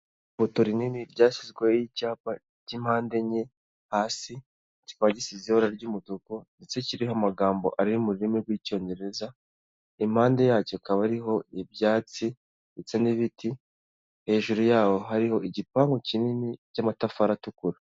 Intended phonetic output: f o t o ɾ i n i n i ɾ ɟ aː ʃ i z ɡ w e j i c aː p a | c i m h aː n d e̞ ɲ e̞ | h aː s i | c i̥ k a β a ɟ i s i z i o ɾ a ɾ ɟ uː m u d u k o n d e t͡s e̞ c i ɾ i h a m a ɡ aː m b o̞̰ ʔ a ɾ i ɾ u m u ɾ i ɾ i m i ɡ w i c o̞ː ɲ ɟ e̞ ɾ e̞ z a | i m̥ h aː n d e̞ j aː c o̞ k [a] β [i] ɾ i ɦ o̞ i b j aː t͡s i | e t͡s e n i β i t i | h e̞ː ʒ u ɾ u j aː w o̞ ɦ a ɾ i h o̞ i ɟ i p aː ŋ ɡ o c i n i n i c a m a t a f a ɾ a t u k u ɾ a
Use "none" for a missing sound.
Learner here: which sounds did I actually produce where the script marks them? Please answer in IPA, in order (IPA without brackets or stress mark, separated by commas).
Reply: a, a